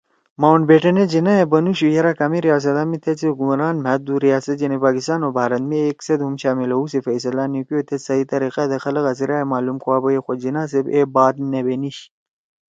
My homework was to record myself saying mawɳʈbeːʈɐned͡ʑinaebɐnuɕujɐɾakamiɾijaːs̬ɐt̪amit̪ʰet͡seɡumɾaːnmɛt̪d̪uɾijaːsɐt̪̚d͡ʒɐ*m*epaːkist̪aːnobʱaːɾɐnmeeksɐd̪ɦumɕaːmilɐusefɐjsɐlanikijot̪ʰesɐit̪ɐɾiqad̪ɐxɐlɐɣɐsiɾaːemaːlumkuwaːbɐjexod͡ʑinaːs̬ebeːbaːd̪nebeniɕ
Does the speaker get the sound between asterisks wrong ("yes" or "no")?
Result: yes